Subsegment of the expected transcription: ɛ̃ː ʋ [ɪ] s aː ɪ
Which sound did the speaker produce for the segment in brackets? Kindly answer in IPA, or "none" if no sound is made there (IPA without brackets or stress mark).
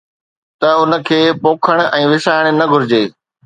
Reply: ɪ